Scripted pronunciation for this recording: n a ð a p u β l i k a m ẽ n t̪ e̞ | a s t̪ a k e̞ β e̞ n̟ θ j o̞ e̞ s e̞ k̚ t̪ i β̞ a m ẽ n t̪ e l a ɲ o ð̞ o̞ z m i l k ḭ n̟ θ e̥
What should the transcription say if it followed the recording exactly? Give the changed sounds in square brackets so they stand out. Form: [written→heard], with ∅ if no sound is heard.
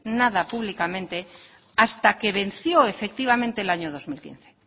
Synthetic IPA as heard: n a ð a p u β l i k a m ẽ n t̪ e̞ | a s t̪ a k e̞ β e̞ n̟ θ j o̞ e̞ [s→f] e̞ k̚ t̪ i β̞ a m ẽ n t̪ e l a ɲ o ð̞ o̞ z m i l k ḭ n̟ θ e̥